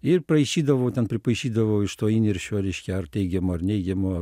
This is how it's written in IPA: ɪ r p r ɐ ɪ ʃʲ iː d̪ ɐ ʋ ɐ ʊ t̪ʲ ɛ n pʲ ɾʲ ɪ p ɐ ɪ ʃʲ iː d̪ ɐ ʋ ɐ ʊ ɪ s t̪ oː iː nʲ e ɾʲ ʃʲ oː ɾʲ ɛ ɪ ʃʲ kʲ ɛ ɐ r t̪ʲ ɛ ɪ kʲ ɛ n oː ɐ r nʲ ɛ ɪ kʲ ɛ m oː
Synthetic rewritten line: ɪ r p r ɐ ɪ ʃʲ iː d̪ ɐ ʋ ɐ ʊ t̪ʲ ɛ n pʲ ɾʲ ɪ p ɐ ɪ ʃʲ iː d̪ ɐ ʋ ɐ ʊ ɪ ʃ t̪ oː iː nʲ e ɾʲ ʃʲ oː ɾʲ ɛ ɪ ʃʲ kʲ ɛ ɐ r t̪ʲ ɛ ɪ ɡʲ ɛ m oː ɐ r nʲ ɛ ɪ ɡʲ ɛ m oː